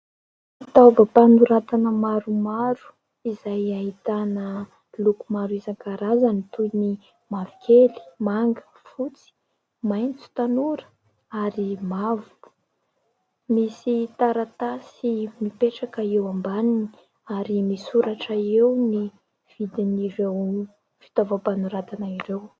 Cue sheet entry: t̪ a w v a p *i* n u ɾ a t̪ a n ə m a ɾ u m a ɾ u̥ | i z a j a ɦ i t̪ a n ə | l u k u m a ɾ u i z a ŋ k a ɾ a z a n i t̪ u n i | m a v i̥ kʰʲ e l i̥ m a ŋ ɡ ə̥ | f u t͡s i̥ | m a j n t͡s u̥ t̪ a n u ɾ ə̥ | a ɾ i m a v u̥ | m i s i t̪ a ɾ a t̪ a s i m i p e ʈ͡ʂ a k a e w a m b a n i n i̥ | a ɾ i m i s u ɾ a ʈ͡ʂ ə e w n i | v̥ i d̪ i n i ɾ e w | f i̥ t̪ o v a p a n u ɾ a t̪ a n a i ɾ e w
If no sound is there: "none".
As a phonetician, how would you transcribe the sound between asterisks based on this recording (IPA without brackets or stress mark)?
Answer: a